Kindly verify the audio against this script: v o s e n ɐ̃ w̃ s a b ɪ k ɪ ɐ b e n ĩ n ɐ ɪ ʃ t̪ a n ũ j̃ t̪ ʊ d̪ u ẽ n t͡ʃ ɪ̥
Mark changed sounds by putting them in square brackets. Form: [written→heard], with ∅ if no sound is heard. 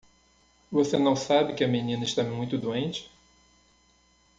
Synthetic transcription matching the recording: v o s e n ɐ̃ w̃ s a b ɪ k ɪ ɐ [b→m] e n ĩ n ɐ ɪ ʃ t̪ a [n→m] ũ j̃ t̪ ʊ d̪ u ẽ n t͡ʃ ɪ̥